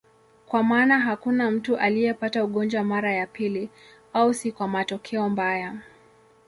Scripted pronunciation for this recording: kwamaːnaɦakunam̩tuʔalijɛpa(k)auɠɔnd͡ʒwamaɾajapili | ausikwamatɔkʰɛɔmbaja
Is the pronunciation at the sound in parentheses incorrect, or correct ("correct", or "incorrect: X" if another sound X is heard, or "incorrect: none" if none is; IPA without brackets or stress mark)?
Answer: incorrect: t